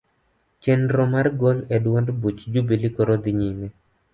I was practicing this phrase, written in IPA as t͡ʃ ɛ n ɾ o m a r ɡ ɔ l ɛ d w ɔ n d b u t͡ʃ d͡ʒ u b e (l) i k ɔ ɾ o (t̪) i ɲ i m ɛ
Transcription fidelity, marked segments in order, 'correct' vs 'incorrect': correct, incorrect: d̪

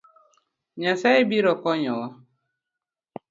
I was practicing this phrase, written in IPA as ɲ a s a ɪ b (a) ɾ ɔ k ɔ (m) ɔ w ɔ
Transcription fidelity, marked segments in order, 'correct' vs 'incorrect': incorrect: i, incorrect: ɲ

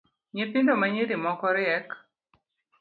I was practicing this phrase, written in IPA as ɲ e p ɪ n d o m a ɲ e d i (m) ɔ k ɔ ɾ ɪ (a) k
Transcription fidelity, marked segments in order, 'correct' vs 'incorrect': correct, incorrect: ɛ

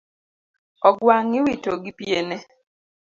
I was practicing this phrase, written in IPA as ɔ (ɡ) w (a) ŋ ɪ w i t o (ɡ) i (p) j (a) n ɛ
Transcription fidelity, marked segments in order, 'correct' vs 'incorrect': correct, correct, correct, correct, incorrect: e

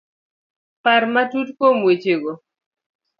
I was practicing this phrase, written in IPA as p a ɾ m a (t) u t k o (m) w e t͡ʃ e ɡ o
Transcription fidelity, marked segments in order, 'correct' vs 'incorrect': correct, correct

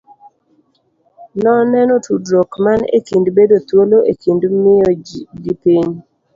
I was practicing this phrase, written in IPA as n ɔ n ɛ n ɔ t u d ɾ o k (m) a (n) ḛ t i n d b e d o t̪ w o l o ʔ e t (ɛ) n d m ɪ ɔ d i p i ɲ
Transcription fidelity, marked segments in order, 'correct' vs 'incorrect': correct, correct, incorrect: i

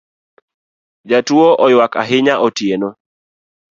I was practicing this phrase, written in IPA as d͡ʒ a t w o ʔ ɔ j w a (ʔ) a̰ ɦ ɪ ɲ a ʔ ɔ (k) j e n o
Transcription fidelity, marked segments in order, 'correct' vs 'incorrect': incorrect: k, incorrect: t

